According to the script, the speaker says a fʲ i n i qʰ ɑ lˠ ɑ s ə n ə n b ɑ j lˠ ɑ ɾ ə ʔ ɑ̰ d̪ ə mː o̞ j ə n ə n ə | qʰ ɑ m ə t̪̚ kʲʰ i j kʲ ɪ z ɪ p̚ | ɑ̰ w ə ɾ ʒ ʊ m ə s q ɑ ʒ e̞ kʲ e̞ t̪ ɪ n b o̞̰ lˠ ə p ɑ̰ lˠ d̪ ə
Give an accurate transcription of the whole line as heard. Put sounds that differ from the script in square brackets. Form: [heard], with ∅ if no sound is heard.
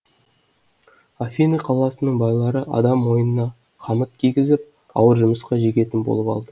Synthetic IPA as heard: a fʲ i n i qʰ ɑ lˠ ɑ s ə n ə [ɴ] b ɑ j lˠ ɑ ɾ ə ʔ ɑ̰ d̪ [ɑ] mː o̞ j ə n ə n [ɑ] | qʰ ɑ m ə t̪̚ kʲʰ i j [ɡʲ] ɪ z ɪ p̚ | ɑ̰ w ə ɾ ʒ ʊ m ə s q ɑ ʒ e̞ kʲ e̞ t̪ ɪ n b o̞̰ lˠ ə p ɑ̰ lˠ d̪ ə